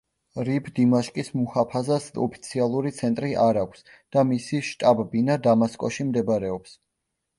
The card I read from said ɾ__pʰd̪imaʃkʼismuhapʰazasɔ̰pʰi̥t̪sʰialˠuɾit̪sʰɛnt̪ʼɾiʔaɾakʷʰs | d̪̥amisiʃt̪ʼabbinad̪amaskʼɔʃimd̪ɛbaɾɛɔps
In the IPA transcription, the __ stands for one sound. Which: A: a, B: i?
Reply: B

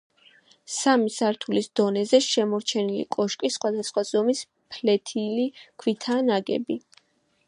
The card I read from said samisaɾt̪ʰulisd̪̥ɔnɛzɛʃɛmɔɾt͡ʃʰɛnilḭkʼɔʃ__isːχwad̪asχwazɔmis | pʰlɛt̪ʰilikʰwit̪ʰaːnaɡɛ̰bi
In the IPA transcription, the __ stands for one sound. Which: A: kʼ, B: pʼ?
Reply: A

